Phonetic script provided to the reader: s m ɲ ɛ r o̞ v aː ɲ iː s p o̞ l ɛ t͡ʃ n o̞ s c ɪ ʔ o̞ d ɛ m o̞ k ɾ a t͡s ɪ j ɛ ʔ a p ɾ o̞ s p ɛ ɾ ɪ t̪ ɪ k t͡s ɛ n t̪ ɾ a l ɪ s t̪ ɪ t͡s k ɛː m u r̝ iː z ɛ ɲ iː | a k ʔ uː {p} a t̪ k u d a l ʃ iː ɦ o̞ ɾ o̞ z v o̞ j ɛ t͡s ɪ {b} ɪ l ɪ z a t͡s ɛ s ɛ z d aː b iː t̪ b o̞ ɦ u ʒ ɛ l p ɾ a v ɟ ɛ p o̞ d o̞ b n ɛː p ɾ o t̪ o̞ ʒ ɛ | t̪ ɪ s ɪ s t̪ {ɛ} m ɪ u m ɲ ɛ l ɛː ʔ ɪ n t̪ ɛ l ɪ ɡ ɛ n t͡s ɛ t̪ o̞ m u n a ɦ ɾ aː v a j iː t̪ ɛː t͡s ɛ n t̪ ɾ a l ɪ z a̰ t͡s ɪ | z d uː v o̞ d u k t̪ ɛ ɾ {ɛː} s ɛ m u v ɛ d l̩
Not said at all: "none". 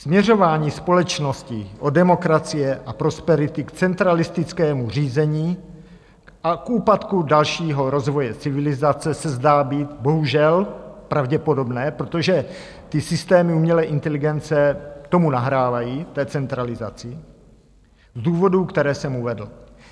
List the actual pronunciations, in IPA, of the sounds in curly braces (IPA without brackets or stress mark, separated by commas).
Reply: p, v, ɛː, ɛː